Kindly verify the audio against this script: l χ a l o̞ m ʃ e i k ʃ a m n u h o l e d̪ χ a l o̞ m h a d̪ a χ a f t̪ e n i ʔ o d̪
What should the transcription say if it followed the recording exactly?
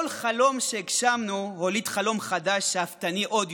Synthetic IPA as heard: l χ a l o̞ m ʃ e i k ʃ a m n u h o l i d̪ χ a l o̞ m χ a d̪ a ʃ a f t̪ a n i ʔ o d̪